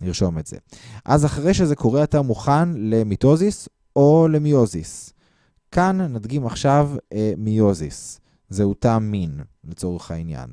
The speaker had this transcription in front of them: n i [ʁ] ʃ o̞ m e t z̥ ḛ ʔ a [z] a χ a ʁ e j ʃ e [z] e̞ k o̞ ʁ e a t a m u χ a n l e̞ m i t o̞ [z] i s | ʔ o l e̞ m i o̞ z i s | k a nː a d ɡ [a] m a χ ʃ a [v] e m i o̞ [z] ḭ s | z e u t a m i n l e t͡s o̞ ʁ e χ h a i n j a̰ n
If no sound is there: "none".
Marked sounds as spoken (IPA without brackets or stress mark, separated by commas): ʁ, z, z, z, i, v, z